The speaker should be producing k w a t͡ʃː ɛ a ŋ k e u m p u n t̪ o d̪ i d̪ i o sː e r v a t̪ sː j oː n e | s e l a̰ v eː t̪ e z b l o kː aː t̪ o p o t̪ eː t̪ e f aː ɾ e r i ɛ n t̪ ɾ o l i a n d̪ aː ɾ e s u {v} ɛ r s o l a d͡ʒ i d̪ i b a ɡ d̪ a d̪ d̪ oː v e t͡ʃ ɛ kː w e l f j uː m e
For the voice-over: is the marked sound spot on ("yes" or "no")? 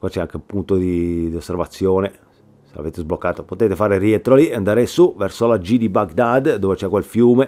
yes